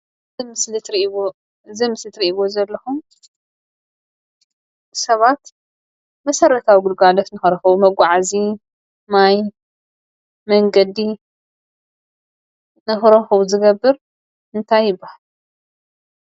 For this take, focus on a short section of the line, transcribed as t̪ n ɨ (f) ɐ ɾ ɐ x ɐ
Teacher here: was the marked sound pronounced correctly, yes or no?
no